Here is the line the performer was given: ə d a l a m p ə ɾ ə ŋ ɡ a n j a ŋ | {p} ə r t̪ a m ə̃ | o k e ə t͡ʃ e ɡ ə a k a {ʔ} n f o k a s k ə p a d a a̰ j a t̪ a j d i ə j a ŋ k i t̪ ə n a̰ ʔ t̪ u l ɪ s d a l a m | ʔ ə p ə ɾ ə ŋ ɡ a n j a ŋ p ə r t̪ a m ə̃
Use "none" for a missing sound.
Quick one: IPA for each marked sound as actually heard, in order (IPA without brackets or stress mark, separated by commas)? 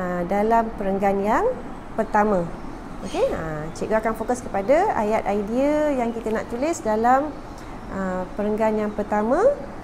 p, none